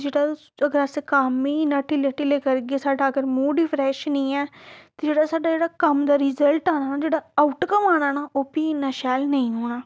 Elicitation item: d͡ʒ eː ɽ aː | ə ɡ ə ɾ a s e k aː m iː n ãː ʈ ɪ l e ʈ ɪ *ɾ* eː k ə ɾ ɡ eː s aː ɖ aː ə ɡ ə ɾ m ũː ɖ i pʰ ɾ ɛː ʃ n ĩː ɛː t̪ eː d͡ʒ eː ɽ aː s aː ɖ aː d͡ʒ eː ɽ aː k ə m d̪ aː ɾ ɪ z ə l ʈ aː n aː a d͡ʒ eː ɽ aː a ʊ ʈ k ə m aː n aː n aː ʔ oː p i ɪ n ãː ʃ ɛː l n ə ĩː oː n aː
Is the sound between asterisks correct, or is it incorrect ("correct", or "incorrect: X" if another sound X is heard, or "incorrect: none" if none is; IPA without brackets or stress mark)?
incorrect: l